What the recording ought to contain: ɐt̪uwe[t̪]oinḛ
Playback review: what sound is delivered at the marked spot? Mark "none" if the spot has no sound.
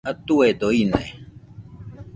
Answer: d̪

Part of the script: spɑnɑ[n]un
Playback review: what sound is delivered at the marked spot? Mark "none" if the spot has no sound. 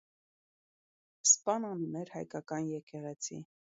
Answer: n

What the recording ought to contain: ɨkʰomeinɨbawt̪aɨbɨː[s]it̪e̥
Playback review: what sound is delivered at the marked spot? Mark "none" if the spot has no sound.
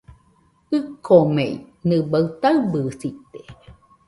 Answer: s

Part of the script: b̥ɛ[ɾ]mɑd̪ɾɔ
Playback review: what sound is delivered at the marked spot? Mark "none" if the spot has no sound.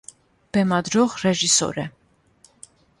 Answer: none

